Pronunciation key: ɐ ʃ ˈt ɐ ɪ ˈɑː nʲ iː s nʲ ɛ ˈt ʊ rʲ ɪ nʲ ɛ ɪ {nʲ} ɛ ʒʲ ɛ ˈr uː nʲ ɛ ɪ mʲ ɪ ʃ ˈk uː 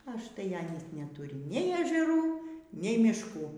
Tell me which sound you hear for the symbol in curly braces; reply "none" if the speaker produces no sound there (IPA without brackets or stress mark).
none